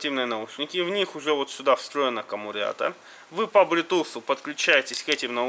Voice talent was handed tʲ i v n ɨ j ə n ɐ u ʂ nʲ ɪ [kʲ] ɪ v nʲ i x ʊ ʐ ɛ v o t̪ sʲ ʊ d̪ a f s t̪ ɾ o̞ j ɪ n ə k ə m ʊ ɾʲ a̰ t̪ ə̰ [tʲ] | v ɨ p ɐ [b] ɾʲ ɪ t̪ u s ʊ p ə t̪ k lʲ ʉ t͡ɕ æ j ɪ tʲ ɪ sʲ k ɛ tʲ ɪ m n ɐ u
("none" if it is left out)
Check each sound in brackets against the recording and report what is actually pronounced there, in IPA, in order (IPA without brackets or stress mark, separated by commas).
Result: kʲ, none, b